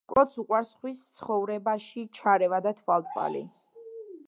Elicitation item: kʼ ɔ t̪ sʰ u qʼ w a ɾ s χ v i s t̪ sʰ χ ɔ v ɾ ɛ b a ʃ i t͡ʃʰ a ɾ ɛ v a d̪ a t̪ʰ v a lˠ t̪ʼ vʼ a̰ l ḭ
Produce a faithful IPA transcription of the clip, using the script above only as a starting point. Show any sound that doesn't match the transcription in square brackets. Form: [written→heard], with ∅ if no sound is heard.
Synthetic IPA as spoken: kʼ ɔ t̪ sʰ u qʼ w a ɾ s χ [v→w] i s t̪ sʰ χ ɔ v ɾ ɛ b a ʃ i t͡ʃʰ a ɾ ɛ v a d̪ a t̪ʰ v a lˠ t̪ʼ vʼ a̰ l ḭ